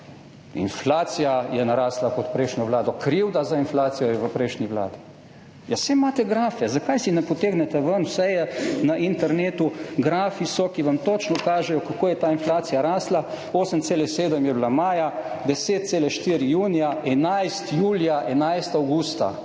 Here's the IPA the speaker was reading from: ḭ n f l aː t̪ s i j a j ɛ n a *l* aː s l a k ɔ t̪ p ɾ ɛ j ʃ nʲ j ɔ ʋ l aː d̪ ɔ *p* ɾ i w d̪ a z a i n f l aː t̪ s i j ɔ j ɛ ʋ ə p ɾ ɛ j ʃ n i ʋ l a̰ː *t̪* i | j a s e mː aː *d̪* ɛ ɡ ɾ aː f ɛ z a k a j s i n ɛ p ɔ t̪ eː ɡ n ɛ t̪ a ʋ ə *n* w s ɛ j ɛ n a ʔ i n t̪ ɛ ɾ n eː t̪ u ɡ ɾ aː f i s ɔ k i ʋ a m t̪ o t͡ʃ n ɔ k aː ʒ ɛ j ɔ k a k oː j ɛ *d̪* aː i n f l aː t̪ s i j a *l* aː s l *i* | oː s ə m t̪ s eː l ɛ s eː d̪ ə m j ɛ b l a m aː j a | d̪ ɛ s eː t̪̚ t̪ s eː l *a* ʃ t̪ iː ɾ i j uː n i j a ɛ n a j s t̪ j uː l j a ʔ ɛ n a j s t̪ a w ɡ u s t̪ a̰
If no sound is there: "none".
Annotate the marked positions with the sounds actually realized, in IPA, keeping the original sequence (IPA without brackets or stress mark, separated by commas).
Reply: ɾ, k, d̪, t̪, n, t̪, ɾ, a, ɛ